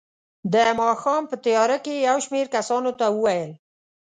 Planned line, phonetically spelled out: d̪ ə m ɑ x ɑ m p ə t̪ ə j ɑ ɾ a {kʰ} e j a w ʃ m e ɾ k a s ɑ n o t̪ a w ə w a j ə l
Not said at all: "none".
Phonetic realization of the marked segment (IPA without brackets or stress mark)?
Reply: k